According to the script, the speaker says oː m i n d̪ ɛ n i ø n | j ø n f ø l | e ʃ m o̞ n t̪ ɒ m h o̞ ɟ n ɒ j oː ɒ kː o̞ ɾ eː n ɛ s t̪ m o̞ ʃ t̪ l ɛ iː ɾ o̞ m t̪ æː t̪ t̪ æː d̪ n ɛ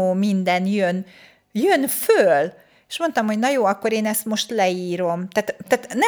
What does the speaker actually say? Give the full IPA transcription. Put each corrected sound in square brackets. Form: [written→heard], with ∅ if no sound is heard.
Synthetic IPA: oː m i n d̪ ɛ n [i→j] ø n | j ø n f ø l | e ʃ m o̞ n t̪ ɒ m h o̞ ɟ n ɒ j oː ɒ kː o̞ ɾ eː n ɛ s t̪ m o̞ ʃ t̪ l ɛ iː ɾ o̞ m t̪ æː t̪ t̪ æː [d̪→t̪] n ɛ